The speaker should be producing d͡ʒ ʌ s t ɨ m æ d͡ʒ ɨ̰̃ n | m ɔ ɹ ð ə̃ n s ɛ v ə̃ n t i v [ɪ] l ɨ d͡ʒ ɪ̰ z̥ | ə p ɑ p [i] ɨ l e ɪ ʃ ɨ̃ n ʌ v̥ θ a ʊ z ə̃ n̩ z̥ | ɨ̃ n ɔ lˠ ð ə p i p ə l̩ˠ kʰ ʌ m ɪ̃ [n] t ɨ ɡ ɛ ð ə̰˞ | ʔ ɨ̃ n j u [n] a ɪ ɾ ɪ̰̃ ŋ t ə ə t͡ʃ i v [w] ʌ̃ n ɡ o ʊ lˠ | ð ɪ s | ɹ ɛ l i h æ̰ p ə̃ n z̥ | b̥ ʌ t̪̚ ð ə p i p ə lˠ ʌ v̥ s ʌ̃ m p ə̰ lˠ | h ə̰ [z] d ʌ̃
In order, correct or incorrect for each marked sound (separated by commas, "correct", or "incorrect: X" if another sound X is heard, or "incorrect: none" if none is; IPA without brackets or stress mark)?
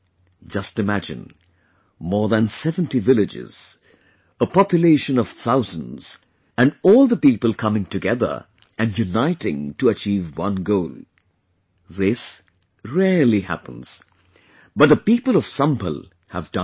correct, incorrect: j, incorrect: ŋ, correct, correct, incorrect: v